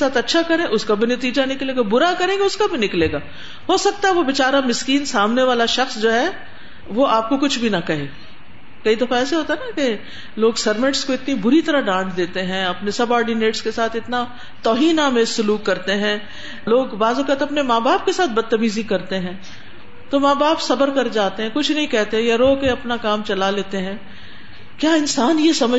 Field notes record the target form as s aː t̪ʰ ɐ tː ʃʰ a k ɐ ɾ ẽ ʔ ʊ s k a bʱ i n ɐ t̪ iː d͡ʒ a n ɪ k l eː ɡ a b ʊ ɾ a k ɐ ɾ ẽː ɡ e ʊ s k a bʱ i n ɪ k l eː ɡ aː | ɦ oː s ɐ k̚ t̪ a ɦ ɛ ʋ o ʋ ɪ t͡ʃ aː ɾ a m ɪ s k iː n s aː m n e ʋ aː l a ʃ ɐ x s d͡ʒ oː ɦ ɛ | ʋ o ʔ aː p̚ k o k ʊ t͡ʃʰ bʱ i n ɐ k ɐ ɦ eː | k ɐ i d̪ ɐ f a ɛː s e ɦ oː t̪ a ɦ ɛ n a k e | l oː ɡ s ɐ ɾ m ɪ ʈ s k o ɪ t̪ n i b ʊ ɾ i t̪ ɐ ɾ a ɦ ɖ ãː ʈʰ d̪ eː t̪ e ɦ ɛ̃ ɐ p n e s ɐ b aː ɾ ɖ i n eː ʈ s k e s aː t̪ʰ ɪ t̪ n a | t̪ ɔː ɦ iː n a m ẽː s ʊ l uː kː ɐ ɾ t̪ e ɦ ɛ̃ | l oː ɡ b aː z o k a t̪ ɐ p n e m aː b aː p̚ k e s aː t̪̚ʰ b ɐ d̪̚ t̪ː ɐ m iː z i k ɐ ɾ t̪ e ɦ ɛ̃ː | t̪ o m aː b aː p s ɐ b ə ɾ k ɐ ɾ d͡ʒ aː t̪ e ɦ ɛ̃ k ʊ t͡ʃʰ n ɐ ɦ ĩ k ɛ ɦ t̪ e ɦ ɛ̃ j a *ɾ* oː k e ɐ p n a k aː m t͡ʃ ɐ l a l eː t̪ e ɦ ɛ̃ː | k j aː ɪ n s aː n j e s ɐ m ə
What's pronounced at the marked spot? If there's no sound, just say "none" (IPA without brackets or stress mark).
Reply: ɾ